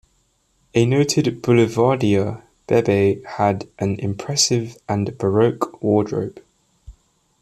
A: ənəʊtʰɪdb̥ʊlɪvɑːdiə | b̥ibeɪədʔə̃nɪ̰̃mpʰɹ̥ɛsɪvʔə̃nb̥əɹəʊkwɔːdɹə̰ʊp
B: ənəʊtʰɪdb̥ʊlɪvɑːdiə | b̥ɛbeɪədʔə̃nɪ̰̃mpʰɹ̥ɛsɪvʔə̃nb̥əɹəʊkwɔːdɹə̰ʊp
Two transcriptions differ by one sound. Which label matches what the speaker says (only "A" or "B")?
B